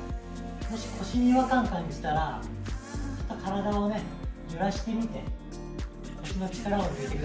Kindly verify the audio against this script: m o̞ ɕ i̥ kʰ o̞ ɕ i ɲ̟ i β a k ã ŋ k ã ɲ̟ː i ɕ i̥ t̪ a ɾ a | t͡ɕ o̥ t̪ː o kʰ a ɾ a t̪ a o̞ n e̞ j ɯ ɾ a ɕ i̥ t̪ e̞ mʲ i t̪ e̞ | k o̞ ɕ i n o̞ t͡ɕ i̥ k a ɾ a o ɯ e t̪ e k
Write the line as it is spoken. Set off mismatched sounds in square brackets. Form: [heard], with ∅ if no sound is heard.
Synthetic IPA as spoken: m o̞ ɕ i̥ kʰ o̞ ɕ i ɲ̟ i β a k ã ŋ k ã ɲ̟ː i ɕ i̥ t̪ a ɾ a | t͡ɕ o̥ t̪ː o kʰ a ɾ a [d̪] a o̞ n e̞ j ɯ ɾ a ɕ i̥ t̪ e̞ mʲ i t̪ e̞ | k o̞ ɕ i n o̞ t͡ɕ i̥ k a ɾ a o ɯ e t̪ e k